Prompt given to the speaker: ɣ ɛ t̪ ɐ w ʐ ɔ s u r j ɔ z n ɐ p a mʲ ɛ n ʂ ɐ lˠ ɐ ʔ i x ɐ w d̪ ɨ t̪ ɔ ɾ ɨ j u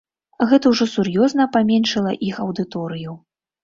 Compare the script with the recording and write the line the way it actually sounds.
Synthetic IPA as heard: ɣ ɛ t̪ ɐ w ʐ ɔ s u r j ɔ z n ɐ p a mʲ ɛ n ʂ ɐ lˠ ɐ ʔ i x ɐ w d̪ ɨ t̪ ɔ ɾ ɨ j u